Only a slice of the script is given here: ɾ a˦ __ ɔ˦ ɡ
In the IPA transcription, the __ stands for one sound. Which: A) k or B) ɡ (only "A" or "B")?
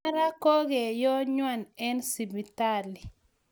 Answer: A